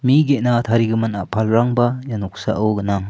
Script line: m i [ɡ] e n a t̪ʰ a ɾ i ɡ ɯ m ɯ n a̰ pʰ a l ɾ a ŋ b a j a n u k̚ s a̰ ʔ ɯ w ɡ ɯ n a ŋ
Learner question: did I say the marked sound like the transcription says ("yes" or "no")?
yes